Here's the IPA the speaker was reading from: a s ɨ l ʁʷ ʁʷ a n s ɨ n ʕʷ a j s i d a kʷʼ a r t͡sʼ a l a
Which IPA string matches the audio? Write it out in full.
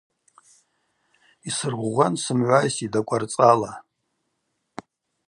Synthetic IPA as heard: i s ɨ r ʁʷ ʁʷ a n s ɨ m ʕʷ a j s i d a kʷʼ a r t͡sʼ a l a

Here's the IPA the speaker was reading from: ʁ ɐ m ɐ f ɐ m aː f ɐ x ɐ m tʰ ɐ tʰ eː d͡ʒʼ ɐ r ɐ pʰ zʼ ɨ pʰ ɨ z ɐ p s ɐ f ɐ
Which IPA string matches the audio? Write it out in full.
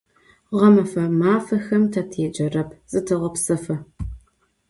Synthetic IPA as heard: ʁ ɐ m ɐ f ɐ m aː f ɐ x ɐ m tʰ ɐ tʰ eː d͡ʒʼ ɐ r ɐ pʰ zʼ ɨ tʰ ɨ ʁ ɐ p s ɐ f ɐ

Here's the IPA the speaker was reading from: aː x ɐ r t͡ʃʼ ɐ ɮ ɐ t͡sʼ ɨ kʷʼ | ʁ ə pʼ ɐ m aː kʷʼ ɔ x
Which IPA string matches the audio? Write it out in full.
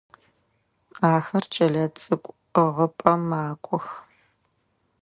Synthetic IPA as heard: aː x ɐ r t͡ʃʼ ɐ ɮ ɐ t͡sʼ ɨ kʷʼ | ʁ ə pʼ ɐ m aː kʷʼ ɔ x

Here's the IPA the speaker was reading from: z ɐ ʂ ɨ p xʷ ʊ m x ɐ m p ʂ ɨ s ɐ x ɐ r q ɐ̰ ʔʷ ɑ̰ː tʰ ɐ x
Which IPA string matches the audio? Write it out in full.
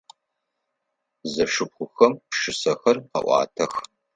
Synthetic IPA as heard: z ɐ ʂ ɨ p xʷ ʊ x ɐ m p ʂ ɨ s ɐ x ɐ r q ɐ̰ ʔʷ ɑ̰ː tʰ ɐ x

